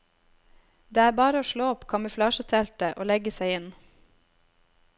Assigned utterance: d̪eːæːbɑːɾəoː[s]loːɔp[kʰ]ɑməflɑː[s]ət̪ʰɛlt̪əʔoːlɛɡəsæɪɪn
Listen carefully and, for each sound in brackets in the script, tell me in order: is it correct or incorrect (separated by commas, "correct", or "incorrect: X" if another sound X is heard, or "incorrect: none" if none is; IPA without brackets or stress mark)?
incorrect: ʃ, correct, incorrect: ʃ